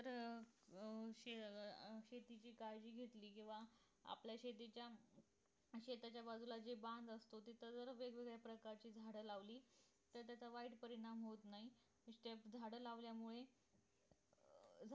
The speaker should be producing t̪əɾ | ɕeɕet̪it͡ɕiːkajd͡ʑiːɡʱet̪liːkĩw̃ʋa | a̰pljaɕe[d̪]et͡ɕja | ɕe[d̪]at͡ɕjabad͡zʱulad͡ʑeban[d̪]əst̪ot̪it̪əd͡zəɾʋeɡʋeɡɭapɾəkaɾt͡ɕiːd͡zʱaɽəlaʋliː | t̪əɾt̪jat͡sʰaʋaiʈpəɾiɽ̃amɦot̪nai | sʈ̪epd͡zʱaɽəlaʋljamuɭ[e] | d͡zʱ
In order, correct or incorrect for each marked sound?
incorrect, incorrect, correct, correct

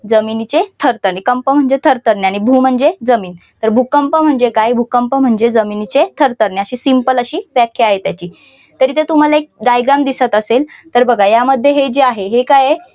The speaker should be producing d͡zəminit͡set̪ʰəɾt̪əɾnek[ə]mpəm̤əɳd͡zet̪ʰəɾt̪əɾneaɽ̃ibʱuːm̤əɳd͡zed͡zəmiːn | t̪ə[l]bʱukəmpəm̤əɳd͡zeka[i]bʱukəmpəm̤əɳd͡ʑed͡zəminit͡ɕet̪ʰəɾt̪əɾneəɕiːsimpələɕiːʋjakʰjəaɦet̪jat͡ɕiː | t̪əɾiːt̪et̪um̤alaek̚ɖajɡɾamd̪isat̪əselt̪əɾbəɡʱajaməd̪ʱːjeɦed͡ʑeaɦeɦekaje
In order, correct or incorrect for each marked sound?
correct, incorrect, incorrect

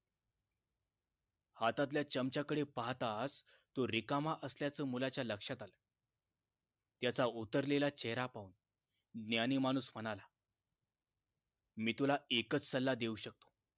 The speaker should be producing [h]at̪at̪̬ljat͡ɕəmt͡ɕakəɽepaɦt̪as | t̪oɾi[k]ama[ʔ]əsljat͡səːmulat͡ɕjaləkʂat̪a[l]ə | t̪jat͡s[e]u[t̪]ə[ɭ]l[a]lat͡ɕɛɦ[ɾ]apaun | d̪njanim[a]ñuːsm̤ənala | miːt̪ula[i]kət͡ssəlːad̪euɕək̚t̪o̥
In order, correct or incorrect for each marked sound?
correct, correct, correct, correct, incorrect, correct, incorrect, incorrect, correct, correct, incorrect

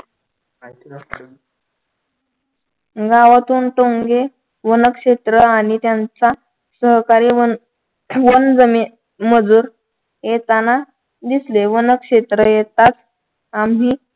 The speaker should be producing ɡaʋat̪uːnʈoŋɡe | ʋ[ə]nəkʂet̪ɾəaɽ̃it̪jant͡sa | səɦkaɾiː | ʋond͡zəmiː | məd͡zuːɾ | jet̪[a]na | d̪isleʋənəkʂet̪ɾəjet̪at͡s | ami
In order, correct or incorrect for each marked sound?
correct, correct

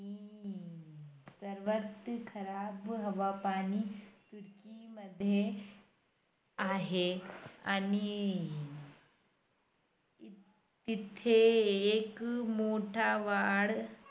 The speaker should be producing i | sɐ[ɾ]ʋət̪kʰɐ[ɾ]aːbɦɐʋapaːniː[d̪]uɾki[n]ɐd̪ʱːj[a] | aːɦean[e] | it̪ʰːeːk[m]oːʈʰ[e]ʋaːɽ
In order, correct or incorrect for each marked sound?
correct, correct, incorrect, incorrect, incorrect, incorrect, correct, incorrect

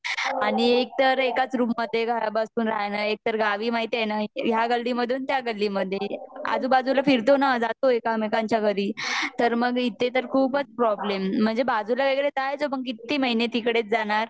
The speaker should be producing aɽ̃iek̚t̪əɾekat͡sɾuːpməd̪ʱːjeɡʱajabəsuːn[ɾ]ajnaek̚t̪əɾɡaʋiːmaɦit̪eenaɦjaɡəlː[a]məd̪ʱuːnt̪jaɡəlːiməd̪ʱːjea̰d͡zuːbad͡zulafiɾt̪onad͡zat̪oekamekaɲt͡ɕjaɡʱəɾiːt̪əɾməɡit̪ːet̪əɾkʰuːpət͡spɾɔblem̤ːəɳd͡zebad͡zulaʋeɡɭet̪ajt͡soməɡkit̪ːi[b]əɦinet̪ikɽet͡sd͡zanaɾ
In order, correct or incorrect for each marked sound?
correct, incorrect, incorrect

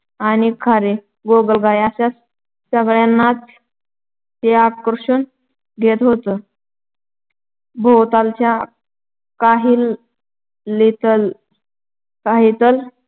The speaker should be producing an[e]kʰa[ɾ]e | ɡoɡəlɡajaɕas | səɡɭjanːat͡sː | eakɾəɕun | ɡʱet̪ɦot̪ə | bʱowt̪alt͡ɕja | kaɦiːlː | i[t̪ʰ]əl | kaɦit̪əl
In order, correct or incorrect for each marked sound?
incorrect, correct, incorrect

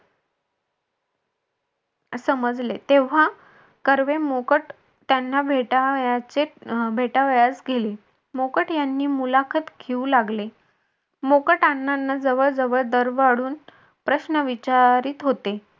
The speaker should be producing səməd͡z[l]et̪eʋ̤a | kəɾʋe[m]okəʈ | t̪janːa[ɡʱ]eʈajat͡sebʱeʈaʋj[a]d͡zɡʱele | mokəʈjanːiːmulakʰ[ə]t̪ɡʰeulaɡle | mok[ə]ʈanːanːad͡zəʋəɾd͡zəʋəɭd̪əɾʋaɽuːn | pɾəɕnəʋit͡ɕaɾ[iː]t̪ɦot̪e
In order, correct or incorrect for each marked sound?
correct, correct, incorrect, correct, correct, correct, correct

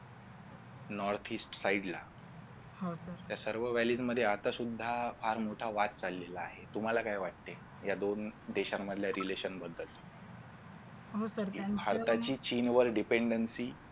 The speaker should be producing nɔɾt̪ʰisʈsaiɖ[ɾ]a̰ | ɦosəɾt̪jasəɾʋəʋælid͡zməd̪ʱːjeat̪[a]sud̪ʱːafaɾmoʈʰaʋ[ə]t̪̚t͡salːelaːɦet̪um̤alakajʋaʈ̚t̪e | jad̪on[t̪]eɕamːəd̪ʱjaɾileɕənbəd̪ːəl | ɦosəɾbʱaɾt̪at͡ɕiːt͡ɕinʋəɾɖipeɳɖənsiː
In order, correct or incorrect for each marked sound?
incorrect, correct, incorrect, incorrect

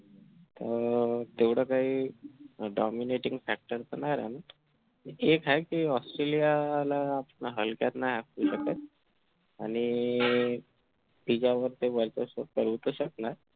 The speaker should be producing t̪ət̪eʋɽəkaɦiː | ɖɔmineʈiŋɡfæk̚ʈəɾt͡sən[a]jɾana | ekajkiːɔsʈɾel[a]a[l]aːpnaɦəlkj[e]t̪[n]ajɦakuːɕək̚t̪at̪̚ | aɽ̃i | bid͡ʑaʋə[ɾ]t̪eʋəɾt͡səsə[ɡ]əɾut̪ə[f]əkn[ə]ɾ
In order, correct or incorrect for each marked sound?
correct, incorrect, correct, incorrect, correct, correct, incorrect, incorrect, incorrect

